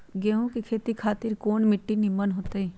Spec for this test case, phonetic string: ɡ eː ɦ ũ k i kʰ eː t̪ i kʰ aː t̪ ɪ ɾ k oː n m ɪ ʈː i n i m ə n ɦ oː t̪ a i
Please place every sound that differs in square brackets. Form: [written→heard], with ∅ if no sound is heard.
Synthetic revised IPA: ɡ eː ɦ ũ k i kʰ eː t̪ i kʰ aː t̪ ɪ ɾ k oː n m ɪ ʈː i n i m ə n ɦ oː t̪ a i